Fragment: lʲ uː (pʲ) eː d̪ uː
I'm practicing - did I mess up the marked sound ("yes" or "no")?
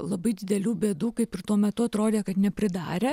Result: yes